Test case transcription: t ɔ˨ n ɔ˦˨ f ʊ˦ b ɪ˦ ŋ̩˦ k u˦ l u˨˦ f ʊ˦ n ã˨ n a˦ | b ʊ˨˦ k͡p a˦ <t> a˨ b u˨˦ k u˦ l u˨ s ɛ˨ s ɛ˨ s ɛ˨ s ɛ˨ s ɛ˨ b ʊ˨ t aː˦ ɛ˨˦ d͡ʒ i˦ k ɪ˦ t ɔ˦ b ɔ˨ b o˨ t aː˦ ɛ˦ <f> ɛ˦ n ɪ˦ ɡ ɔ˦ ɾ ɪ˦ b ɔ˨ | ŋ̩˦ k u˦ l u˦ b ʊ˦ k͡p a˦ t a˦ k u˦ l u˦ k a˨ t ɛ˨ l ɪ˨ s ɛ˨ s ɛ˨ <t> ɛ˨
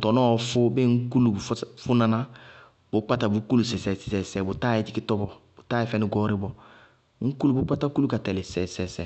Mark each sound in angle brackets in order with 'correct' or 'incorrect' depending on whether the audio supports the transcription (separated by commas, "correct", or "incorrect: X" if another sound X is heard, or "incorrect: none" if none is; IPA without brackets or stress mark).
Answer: correct, correct, incorrect: s